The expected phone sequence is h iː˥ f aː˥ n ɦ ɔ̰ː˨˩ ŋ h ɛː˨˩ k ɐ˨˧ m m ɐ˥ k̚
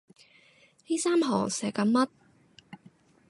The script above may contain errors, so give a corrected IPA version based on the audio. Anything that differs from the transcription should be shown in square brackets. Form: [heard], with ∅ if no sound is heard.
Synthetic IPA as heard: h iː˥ [s] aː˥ [m] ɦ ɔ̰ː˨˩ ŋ [s] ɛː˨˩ k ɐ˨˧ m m ɐ˥ [t̚]